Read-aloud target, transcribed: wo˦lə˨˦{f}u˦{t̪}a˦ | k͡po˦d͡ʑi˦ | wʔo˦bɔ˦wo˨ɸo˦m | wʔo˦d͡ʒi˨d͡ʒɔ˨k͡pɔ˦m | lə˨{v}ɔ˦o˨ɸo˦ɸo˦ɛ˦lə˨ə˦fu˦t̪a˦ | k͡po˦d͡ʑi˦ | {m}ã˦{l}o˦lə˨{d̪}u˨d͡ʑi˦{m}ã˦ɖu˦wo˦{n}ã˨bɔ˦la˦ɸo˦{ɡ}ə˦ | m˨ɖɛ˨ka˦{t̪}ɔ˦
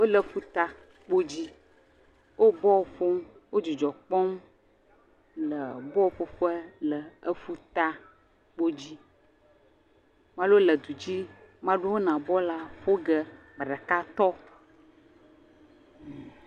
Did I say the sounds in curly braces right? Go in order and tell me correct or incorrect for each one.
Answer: correct, correct, incorrect: b, correct, correct, correct, correct, correct, correct, correct

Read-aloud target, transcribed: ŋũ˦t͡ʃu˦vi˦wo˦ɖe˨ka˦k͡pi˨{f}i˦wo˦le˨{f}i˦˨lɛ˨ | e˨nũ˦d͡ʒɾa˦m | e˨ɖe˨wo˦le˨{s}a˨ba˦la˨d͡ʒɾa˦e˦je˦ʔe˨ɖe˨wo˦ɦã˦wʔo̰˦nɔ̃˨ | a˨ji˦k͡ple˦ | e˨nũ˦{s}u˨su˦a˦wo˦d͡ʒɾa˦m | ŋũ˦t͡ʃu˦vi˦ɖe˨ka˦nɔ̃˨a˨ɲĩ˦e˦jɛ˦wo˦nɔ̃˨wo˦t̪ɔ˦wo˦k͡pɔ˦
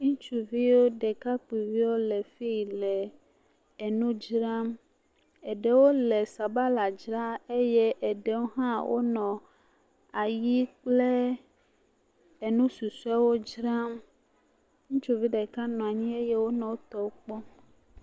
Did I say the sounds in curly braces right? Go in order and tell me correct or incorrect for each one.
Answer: incorrect: v, correct, correct, correct

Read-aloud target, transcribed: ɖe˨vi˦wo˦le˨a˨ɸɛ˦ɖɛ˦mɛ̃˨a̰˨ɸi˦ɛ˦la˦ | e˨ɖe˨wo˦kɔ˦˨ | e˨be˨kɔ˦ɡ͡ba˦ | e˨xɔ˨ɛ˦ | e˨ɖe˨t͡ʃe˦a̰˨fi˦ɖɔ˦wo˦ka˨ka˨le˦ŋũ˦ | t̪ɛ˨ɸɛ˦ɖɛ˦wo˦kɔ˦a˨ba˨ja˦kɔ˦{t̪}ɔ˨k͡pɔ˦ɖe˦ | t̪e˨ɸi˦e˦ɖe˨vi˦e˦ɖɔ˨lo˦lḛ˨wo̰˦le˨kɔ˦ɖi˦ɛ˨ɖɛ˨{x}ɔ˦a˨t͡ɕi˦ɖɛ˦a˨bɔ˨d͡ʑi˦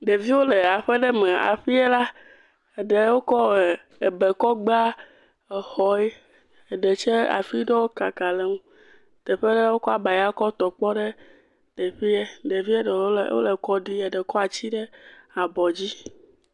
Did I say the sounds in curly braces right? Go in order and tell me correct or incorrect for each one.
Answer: correct, incorrect: k

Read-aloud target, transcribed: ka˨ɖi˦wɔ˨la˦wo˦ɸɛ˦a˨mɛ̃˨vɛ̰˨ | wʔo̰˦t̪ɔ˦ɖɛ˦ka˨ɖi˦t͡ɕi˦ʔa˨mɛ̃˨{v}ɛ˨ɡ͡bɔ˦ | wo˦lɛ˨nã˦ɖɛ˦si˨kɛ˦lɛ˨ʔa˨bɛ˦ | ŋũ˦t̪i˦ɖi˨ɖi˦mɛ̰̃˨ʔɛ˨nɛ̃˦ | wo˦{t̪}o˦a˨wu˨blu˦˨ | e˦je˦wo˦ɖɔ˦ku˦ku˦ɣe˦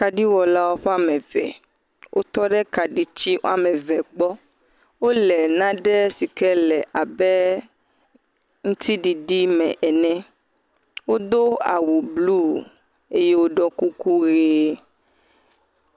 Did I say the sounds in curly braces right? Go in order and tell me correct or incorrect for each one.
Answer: correct, incorrect: d̪

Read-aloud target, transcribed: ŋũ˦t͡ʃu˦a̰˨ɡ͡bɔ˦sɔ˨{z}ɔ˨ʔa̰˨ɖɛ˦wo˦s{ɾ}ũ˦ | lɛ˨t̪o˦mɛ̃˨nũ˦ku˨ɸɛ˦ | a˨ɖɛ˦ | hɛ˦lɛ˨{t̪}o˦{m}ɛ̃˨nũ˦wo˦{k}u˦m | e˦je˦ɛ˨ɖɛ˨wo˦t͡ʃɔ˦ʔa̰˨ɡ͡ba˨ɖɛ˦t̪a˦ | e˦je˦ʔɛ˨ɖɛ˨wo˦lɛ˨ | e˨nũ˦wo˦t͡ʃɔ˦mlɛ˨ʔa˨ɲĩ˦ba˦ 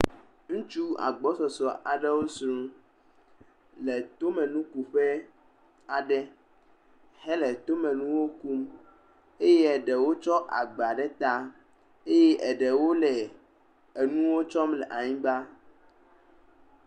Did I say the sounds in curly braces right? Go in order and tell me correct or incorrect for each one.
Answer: incorrect: s, correct, correct, correct, correct

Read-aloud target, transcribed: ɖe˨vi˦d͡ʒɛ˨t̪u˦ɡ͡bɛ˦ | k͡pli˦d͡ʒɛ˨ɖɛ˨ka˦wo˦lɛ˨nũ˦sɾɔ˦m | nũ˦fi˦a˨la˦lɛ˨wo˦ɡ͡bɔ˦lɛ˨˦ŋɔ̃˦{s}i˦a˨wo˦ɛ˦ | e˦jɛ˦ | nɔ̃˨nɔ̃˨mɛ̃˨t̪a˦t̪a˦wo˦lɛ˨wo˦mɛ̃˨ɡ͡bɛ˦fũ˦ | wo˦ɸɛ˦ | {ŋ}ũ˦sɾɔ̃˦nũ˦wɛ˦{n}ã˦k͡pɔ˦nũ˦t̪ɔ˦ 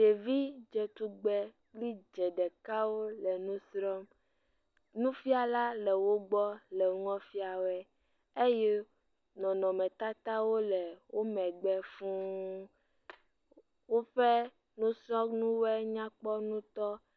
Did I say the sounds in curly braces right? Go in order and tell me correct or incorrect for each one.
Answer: incorrect: f, incorrect: n, incorrect: ɲ

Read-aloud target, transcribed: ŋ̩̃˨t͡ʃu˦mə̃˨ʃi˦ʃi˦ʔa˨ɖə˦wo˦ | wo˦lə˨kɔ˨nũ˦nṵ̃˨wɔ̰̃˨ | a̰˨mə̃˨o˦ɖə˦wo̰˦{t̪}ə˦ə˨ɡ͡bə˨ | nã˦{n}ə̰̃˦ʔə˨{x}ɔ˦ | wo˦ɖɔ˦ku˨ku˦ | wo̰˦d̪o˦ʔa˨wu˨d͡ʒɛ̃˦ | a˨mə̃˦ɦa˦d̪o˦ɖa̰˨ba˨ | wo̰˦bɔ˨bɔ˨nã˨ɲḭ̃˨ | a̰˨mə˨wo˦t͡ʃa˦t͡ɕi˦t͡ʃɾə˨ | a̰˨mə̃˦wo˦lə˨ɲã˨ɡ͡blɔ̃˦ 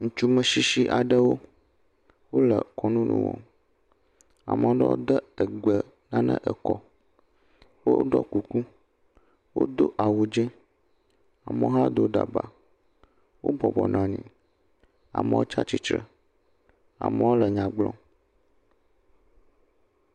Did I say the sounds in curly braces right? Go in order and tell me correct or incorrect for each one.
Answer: incorrect: d̪, correct, incorrect: k

